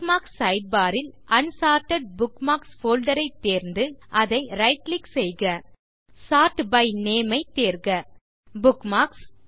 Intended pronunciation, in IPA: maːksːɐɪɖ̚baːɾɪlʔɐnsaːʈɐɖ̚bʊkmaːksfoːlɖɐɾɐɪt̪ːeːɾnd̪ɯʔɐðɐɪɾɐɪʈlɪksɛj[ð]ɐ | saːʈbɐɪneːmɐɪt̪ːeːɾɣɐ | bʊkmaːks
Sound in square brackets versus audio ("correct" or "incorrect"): incorrect